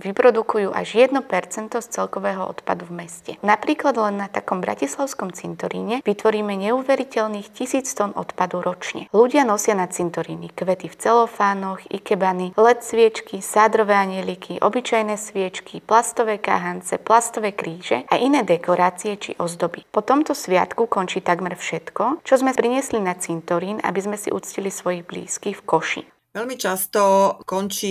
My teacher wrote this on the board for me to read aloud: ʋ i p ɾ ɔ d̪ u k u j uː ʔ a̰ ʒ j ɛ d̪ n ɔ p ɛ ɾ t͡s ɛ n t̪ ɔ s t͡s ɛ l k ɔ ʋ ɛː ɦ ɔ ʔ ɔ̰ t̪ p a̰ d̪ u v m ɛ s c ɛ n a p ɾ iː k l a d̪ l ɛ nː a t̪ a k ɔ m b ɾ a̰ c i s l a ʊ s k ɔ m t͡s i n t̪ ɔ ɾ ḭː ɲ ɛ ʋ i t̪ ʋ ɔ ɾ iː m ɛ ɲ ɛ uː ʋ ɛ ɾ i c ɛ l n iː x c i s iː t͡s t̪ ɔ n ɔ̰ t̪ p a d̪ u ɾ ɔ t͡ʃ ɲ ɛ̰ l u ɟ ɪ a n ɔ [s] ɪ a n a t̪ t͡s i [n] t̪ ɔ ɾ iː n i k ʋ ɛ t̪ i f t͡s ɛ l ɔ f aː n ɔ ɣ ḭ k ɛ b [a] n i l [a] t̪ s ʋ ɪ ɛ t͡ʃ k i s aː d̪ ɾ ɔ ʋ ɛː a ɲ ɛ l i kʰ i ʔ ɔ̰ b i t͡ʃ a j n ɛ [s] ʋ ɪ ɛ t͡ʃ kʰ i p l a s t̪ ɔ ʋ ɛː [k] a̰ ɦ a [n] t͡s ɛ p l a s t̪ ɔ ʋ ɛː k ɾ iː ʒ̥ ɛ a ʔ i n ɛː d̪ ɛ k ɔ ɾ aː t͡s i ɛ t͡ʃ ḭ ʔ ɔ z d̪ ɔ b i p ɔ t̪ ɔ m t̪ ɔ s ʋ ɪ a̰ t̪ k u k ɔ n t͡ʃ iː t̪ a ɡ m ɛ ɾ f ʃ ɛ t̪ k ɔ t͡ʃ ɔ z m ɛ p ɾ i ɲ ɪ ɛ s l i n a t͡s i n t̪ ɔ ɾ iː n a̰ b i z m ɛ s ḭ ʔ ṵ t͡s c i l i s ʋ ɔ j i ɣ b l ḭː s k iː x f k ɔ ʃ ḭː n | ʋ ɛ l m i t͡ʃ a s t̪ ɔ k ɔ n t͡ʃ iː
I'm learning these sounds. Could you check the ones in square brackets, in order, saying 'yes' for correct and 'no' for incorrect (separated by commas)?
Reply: yes, yes, yes, no, yes, yes, yes